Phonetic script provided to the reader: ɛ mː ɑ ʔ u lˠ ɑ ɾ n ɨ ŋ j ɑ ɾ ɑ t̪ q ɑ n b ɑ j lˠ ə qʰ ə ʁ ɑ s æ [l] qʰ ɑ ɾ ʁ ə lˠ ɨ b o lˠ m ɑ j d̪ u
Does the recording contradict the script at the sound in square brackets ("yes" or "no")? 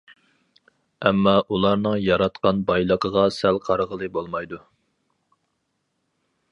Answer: no